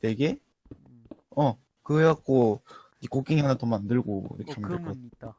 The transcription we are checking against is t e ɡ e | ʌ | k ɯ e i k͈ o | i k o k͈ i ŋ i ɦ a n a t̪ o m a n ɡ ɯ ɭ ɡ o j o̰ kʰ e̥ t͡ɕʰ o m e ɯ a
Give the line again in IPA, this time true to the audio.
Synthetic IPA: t e ɡ e | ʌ | k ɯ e a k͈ o | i k o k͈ i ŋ i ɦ a n a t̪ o m a n d ɯ ɭ ɡ o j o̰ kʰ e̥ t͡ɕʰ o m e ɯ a

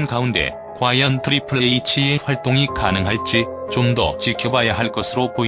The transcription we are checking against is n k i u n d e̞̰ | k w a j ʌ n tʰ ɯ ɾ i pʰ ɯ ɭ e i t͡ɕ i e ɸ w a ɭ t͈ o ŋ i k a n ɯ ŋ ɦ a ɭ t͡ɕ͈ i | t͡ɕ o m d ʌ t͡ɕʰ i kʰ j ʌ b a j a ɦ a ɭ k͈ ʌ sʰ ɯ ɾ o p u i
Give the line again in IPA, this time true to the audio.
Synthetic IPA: n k a u n d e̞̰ | k w a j ʌ n tʰ ɯ ɾ i pʰ ɯ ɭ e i t͡ɕʰ i e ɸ w a ɭ t͈ o ŋ i k a n ɯ ŋ ɦ a ɭ t͡ɕ͈ i | t͡ɕ o m d ʌ t͡ɕ i kʰ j ʌ b a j a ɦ a ɭ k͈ ʌ sʰ ɯ ɾ o p o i

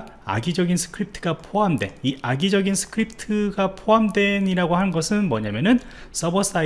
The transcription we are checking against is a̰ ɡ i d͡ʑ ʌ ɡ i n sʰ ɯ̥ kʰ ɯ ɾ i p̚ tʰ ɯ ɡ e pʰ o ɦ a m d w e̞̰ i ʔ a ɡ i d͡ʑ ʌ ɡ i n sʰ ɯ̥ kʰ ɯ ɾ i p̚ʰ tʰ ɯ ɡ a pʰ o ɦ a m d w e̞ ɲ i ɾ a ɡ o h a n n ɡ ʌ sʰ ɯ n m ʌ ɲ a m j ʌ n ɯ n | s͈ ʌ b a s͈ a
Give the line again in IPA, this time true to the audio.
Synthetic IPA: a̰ ɡ i d͡ʑ ʌ ɡ i n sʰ ɯ̥ kʰ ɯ ɾ i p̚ tʰ ɯ ɡ a pʰ o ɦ a m d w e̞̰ i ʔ a ɡ i d͡ʑ ʌ ɡ i n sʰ ɯ̥ kʰ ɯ ɾ i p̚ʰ tʰ ɯ ɡ a pʰ o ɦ a m d w e̞ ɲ i ɾ a ɡ o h a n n ɡ ʌ sʰ ɯ n m ʌ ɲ a m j ʌ n ɯ n | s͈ ʌ b ʌ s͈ a

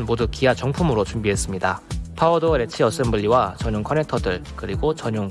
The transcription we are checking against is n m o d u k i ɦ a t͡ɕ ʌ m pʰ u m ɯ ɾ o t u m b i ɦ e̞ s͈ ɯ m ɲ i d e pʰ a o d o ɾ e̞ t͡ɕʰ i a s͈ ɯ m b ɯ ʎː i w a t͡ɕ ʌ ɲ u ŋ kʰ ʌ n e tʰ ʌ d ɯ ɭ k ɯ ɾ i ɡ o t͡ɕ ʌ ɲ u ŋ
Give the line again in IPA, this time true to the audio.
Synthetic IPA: n m o d u k i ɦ a t͡ɕ ʌ ŋ pʰ u m ɯ ɾ o t͡ɕ u m b i ɦ e̞ s͈ ɯ m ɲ i d a pʰ a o d o ɾ e̞ t͡ɕʰ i ʌ s͈ ɯ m b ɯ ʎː i w a t͡ɕ ʌ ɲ u ŋ kʰ ʌ n e tʰ ʌ d ɯ ɭ k ɯ ɾ i ɡ o t͡ɕ ʌ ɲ u ŋ

